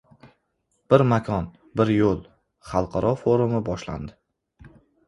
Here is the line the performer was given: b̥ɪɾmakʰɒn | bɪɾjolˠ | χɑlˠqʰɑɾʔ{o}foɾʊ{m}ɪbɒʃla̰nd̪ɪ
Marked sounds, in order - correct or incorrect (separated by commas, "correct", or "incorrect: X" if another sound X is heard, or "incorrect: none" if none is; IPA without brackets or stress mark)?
incorrect: ɒ, correct